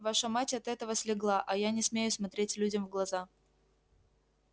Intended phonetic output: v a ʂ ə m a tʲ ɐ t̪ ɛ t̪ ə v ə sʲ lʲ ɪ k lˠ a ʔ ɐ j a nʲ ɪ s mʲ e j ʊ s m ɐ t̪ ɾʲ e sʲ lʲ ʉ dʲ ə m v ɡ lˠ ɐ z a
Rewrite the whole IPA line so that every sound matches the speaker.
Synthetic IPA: v a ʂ ə m a tʲ ɐ t̪ ɛ t̪ ə v ə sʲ lʲ ɪ ɡ lˠ a ʔ ɐ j a nʲ ɪ s mʲ e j ʊ s m ɐ t̪ ɾʲ e tʲ lʲ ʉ dʲ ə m v ɡ lˠ ɐ z a

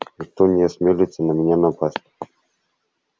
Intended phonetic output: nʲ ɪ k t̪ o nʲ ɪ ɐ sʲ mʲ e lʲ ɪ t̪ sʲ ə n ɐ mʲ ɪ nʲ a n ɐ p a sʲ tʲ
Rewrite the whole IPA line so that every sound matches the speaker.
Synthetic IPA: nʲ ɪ k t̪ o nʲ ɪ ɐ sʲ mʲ e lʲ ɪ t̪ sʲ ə n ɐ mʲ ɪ nʲ a n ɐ p a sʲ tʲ

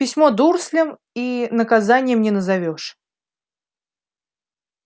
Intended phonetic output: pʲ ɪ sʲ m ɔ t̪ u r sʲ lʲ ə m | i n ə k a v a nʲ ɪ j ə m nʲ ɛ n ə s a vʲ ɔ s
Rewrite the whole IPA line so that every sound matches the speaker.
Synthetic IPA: pʲ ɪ sʲ m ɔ d̪ u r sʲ lʲ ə m | i n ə k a z a nʲ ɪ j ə m nʲ ɛ n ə z a vʲ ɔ ʂ

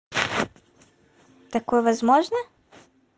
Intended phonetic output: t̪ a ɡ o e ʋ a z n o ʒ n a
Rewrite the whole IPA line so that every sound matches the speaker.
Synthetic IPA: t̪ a k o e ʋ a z m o ʒ n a

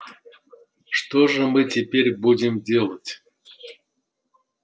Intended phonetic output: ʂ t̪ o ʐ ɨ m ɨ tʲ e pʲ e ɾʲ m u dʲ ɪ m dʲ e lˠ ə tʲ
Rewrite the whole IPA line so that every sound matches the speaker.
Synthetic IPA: ʂ t̪ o ʐ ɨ m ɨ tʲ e pʲ e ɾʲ b u dʲ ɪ m dʲ e lˠ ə tʲ

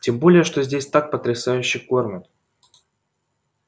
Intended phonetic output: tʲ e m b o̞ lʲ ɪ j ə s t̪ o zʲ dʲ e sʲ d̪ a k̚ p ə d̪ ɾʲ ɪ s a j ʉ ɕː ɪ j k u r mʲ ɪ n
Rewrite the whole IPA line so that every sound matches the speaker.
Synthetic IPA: tʲ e m b o̞ lʲ ɪ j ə ʂ t̪ o zʲ dʲ e sʲ t̪ a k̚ p ə t̪ ɾʲ ɪ s a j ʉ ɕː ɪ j k o r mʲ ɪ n

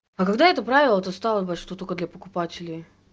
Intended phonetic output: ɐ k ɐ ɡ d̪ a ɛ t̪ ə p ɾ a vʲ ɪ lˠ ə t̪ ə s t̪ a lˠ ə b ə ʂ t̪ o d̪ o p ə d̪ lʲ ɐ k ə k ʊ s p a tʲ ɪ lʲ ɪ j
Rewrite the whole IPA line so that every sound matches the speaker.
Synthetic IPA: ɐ k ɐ ɡ d̪ a ɛ t̪ ə p ɾ a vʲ ɪ lˠ ə t̪ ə s t̪ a lˠ ə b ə ʂ t̪ o t̪ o k ə d̪ lʲ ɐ p ə k ʊ p a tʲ ɪ lʲ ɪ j

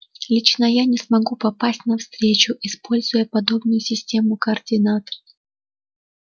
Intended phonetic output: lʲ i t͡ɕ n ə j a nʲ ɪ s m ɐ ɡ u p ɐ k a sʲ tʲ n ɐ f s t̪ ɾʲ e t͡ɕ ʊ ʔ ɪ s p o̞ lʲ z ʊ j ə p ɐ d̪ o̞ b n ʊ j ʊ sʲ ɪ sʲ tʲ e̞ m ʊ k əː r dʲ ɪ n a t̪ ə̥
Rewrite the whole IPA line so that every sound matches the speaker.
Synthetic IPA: lʲ i t͡ɕ n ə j a nʲ ɪ s m ɐ ɡ u p ɐ p a sʲ tʲ n ɐ f s t̪ ɾʲ e t͡ɕ ʊ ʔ ɪ s p o̞ lʲ z ʊ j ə p ɐ d̪ o̞ b n ʊ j ʊ sʲ ɪ sʲ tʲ e̞ m ʊ k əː r dʲ ɪ n a t̪ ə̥

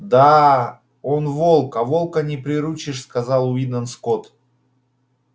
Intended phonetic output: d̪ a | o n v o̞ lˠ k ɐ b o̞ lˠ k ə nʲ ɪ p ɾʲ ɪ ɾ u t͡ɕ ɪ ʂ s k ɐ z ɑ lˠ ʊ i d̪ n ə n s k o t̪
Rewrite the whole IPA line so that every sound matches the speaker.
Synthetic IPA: d̪ a | o n v o̞ lˠ k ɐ v o̞ lˠ k ə nʲ ɪ p ɾʲ ɪ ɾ u t͡ɕ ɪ ʂ s k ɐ z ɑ lˠ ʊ i d̪ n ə n s k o t̪

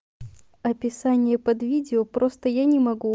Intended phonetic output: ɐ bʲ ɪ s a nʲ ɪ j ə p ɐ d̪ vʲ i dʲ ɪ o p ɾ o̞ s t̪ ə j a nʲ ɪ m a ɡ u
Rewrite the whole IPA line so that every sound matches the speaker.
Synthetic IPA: ɐ pʲ ɪ s a nʲ ɪ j ə p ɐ d̪ vʲ i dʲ ɪ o p ɾ o̞ s t̪ ə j a nʲ ɪ m ɐ ɡ u

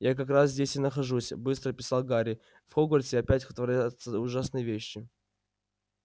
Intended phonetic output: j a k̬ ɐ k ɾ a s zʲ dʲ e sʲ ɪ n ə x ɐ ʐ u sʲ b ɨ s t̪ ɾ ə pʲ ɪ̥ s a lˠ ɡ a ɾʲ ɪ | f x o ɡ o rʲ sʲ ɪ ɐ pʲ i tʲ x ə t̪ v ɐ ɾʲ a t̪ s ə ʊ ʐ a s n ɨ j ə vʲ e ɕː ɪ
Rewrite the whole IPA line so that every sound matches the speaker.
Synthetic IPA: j a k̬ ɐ k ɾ a s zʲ dʲ e sʲ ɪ n ə x ɐ ʐ u sʲ b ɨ s t̪ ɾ ə pʲ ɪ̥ s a lˠ ɡ a ɾʲ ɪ | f x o ɡ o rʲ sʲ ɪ ɐ pʲ æ tʲ x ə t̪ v ɐ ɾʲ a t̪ s ə ʊ ʐ a s n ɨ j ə vʲ e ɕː ɪ

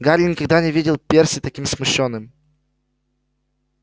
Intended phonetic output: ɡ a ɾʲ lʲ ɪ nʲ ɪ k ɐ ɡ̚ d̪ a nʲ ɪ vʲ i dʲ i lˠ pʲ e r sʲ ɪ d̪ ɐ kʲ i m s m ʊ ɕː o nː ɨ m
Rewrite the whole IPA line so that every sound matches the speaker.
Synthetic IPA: ɡ a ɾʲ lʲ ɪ nʲ ɪ k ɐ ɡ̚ d̪ a nʲ ɪ vʲ i dʲ ɪ lˠ pʲ e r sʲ ɪ t̪ ɐ kʲ i m s m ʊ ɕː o nː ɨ m

